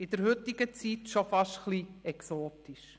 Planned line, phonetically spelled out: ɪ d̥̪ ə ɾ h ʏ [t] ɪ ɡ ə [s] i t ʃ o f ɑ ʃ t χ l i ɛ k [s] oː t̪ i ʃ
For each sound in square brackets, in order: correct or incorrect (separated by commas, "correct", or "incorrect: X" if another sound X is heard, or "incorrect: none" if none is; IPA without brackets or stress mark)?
correct, incorrect: t͡s, correct